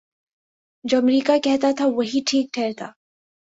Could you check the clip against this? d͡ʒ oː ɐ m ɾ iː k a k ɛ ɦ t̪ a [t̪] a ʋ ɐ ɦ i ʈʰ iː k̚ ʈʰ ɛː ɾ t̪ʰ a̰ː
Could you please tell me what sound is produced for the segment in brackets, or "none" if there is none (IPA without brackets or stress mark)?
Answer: t̪ʰ